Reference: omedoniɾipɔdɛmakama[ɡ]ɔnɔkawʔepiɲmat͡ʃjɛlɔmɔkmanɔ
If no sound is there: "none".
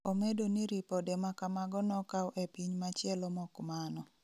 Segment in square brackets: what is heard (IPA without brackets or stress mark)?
ɡ